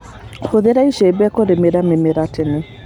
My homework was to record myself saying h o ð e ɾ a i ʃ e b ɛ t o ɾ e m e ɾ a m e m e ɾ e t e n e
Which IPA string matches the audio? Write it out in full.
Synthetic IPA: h o ð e ɾ a i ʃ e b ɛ k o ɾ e m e ɾ a m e m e ɾ a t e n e